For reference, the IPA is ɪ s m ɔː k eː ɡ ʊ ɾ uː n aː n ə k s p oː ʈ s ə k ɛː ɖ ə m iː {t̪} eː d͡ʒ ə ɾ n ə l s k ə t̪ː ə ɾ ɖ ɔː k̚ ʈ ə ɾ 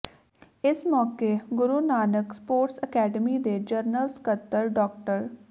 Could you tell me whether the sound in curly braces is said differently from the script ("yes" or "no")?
yes